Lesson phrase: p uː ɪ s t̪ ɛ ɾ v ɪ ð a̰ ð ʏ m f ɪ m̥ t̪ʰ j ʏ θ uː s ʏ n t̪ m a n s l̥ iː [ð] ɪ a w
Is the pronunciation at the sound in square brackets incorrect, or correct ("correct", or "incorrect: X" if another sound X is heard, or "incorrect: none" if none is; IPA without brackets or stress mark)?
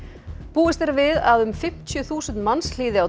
correct